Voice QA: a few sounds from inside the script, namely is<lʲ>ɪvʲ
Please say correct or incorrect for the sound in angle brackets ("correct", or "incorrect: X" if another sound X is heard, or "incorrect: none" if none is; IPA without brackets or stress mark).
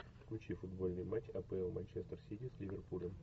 correct